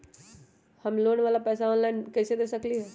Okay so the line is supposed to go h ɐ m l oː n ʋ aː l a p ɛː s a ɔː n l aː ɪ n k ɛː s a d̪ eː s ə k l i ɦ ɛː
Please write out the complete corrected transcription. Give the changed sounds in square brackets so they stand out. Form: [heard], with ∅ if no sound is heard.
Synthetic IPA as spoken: h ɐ m l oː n ʋ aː l a p ɛː s a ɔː n l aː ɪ n k ɛː s [e] d̪ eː s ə k l i ɦ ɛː

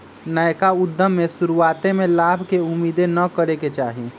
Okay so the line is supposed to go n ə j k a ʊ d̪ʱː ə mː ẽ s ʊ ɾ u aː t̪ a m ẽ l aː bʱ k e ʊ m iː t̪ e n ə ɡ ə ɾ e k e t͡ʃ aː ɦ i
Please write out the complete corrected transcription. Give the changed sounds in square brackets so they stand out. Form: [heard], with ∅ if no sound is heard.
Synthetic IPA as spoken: n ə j k a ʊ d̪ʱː ə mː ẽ s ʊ ɾ u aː t̪ [e] m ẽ l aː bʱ k e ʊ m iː [d̪] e n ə [k] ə ɾ e k e t͡ʃ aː ɦ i

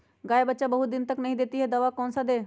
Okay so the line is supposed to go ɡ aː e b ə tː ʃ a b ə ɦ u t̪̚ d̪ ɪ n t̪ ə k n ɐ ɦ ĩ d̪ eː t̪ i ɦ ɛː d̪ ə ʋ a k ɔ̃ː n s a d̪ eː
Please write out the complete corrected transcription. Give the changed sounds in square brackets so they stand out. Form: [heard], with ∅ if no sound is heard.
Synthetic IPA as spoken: ɡ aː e b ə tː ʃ a b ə ɦ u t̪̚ d̪ ɪ n t̪ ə k n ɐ ɦ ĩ d̪ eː t̪ i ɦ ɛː d̪ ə ʋ a k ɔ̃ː n s a d̪ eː

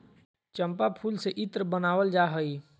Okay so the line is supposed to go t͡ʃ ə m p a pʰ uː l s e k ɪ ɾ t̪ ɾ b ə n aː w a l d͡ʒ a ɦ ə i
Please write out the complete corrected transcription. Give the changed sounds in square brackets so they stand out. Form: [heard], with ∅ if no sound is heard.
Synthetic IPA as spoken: t͡ʃ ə m p a pʰ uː l s e [ʔ] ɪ [∅] t̪ ɾ b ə n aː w [ə] l d͡ʒ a ɦ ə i

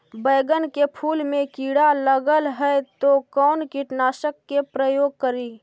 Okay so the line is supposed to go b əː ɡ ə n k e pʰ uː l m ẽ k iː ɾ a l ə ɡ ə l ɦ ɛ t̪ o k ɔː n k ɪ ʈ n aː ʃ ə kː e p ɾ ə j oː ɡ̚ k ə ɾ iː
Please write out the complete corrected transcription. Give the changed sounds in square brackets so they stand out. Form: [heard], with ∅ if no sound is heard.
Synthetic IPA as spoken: b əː ɡ ə n k e pʰ uː l m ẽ k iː [ɽ] a l ə ɡ ə l ɦ ɛ t̪ o k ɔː n k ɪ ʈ n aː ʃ ə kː e p ɾ ə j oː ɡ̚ k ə ɾ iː

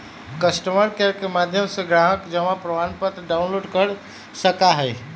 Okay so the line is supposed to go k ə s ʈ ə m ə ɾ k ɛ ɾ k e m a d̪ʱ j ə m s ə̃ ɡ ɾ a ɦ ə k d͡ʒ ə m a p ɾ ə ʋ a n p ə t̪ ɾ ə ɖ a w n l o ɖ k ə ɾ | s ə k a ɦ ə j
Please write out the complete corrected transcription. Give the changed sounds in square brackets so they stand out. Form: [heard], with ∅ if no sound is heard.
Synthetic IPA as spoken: k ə s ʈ ə m ə ɾ k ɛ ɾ k e m a d̪ʱ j ə m s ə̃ ɡ ɾ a ɦ ə k d͡ʒ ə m a p ɾ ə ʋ a n p ə t̪ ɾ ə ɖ a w n l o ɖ k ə ɾ | s ə k a ɦ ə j

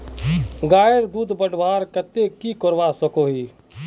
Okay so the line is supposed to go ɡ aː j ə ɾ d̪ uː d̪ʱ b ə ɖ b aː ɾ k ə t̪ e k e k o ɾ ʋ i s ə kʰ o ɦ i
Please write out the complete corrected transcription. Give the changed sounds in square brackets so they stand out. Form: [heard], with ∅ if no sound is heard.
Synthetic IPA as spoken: ɡ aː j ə ɾ d̪ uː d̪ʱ b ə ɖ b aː ɾ k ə t̪ e k [i] k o ɾ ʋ [a] s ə [k] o ɦ i

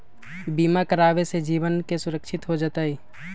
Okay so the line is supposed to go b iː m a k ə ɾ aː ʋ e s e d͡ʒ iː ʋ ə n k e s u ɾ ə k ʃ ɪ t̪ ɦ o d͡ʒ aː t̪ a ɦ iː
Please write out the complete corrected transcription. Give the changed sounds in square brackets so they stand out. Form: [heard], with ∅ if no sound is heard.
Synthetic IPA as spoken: b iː m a k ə ɾ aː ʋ e s e d͡ʒ iː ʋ ə n k e s [ʊ] ɾ ə k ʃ ɪ t̪ ɦ o d͡ʒ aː t̪ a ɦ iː

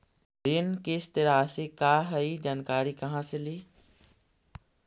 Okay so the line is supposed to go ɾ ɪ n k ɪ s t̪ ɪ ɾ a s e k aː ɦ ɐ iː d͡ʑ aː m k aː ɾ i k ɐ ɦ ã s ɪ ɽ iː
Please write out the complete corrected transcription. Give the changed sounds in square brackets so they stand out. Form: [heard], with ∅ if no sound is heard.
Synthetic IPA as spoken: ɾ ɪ n k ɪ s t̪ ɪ ɾ a s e k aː ɦ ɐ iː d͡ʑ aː [n] k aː ɾ i k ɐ ɦ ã s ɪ [l] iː

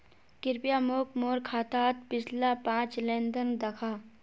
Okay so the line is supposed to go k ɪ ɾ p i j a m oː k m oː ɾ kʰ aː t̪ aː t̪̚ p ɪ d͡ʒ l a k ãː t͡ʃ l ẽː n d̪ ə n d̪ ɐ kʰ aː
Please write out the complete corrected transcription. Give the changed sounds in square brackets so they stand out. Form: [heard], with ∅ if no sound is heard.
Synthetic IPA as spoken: k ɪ ɾ p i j a m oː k m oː ɾ kʰ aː t̪ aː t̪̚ p ɪ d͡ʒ l a [p] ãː t͡ʃ l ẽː n d̪ ə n d̪ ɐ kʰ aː

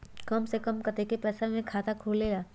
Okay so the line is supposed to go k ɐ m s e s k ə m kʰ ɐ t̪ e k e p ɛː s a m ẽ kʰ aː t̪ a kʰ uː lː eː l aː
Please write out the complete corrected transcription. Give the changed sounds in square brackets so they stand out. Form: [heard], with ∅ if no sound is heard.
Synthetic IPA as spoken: k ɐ m s e [∅] k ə m [k] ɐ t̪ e k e p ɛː s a m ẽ kʰ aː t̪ a kʰ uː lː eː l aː

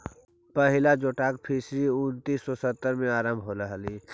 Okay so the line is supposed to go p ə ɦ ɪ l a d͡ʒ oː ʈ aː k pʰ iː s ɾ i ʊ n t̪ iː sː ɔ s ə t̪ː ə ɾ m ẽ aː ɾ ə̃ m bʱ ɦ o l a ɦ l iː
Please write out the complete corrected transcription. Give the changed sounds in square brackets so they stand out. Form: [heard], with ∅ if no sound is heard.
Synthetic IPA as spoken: p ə ɦ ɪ l a d͡ʒ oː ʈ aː k pʰ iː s ɾ i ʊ n t̪ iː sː ɔ s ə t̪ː ə ɾ m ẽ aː ɾ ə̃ m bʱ ɦ o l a ɦ l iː

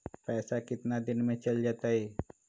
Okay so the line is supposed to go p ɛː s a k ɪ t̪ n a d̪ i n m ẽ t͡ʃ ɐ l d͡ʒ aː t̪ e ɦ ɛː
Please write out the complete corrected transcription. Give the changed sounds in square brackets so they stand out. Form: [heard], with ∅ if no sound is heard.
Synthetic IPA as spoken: p ɛː s a k ɪ t̪ n a d̪ [ɪ] n m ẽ t͡ʃ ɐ l d͡ʒ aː t̪ [a] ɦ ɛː

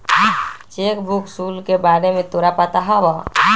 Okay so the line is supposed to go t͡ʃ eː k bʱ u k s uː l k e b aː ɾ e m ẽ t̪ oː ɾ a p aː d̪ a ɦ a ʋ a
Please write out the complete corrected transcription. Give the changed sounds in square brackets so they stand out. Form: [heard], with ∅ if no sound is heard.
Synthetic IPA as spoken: t͡ʃ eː k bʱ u k s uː l k e b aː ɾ e m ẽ t̪ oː ɾ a p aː [t̪] a ɦ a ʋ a

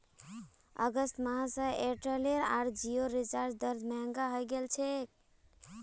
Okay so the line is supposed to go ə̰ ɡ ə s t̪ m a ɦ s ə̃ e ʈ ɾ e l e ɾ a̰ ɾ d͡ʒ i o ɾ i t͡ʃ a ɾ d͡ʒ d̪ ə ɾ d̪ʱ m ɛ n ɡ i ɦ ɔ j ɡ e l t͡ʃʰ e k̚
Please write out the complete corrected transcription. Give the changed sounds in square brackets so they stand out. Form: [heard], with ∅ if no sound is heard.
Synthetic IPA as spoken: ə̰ ɡ ə s t̪ m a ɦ s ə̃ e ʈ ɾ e l e ɾ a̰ ɾ d͡ʒ i o ɾ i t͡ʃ a ɾ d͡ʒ d̪ ə ɾ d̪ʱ m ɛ [ŋ] ɡ [a] ɦ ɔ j ɡ e l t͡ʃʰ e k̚

